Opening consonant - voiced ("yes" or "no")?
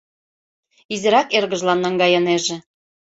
yes